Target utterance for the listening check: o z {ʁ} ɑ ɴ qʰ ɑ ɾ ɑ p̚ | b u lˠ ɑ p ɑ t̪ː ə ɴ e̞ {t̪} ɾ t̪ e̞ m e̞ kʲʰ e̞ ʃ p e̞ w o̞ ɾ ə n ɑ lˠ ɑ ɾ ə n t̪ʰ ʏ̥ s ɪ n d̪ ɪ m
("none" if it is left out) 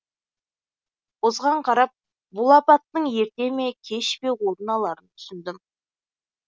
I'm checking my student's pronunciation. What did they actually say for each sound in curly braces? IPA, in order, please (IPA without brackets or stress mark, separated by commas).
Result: ʁ, none